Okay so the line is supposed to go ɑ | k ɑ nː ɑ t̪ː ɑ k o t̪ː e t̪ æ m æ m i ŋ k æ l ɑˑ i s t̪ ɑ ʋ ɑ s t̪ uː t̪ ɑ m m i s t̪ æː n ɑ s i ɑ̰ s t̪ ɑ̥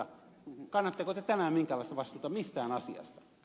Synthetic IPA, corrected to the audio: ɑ | k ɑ nː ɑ t̪ː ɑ k o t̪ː e t̪ æ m æ m i ŋ k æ l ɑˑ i s t̪ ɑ ʋ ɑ s t̪ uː t̪ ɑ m m i s t̪ æː n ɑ s i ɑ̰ s t̪ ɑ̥